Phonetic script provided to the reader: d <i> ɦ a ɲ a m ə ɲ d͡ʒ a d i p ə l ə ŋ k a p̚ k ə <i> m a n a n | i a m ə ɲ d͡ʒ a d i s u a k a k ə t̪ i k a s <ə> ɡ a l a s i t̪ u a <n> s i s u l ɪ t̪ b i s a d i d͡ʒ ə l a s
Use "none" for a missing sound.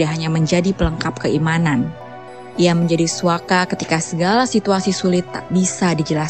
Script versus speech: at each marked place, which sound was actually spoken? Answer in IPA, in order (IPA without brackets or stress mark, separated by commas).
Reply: a, i, ə, none